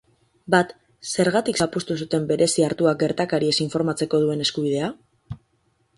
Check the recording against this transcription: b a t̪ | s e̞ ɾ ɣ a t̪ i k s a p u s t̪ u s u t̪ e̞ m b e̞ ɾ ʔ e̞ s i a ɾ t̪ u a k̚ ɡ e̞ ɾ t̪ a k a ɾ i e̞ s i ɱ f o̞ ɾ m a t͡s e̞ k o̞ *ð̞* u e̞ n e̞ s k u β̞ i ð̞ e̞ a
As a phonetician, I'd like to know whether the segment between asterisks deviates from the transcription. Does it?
no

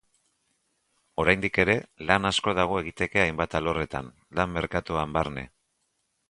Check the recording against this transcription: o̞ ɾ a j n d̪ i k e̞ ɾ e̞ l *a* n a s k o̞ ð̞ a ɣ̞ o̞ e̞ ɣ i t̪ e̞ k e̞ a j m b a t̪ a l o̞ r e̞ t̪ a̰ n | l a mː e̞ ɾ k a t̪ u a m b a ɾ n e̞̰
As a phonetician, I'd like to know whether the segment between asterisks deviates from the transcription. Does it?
no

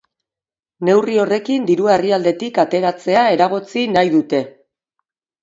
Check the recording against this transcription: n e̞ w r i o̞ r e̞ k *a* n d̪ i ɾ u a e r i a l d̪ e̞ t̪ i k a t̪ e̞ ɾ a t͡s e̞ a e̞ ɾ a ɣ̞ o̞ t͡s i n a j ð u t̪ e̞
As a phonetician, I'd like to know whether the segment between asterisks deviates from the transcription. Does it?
yes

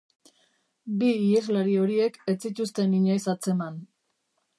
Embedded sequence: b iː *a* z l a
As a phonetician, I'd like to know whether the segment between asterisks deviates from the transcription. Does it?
yes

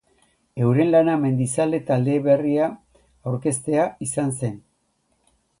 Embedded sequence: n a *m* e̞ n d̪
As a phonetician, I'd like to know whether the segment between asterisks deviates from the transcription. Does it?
no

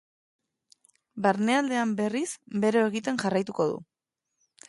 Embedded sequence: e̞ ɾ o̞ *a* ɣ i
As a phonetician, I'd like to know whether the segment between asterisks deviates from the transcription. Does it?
yes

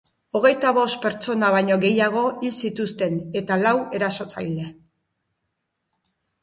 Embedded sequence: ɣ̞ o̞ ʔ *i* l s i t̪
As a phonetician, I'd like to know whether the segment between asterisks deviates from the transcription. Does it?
no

